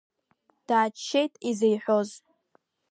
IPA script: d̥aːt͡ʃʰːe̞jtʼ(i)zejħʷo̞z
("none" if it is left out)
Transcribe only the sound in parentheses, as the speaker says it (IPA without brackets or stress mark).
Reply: i